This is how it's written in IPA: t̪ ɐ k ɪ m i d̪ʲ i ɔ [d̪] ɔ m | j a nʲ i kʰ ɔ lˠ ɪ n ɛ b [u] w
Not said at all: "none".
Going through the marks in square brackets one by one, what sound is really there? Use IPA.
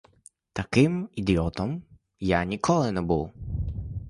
t̪, u

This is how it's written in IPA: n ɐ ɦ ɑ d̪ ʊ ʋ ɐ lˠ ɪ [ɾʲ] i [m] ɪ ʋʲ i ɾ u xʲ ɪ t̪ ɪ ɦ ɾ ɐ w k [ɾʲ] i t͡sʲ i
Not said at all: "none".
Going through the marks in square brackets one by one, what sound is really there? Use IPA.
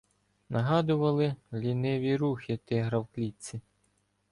lʲ, n, lʲ

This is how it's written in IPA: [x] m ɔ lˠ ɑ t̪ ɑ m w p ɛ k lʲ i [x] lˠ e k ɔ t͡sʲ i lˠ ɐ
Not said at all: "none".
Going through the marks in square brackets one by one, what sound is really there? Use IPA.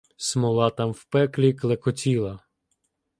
s, k

